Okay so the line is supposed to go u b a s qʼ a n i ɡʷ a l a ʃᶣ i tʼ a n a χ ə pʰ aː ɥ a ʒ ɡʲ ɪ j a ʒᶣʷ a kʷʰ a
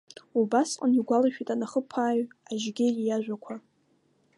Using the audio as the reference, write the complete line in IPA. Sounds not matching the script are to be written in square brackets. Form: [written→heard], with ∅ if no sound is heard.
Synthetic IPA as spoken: u b a s qʼ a n i ɡʷ a l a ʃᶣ i tʼ a n a χ ə pʰ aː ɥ a ʒ ɡʲ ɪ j a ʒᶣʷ a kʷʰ a